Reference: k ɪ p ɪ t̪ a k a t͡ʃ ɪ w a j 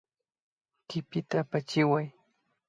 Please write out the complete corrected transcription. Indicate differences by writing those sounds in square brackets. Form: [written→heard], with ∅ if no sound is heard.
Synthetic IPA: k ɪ p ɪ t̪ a [k→p] a t͡ʃ ɪ w a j